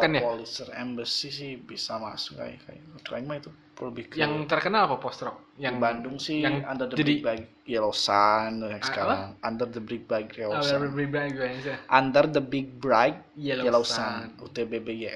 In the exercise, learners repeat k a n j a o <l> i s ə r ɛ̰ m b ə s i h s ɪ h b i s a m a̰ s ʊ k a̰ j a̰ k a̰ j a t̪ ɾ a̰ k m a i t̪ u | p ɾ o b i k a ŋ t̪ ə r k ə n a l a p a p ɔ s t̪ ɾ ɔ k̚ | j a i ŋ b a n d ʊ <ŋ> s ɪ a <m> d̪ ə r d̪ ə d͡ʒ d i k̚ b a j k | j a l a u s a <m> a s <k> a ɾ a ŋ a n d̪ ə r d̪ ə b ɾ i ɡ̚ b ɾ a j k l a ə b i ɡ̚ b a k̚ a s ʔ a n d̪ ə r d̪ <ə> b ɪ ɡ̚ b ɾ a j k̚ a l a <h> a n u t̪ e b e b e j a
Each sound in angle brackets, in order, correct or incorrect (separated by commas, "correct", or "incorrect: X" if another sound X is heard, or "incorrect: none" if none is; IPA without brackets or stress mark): correct, correct, incorrect: n, incorrect: n, correct, correct, incorrect: s